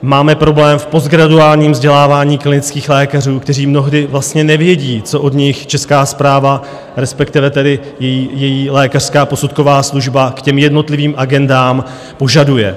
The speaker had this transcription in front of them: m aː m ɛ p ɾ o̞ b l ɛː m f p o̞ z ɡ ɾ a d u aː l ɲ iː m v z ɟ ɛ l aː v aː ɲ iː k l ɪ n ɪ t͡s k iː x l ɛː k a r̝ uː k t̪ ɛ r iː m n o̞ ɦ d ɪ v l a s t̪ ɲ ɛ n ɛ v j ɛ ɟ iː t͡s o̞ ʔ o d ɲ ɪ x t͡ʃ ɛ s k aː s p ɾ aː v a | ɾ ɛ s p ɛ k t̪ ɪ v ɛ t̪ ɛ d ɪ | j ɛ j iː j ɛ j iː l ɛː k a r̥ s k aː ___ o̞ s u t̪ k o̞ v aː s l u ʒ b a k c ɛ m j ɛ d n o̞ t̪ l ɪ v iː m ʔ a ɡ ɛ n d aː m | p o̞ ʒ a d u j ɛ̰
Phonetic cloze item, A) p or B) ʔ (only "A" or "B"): A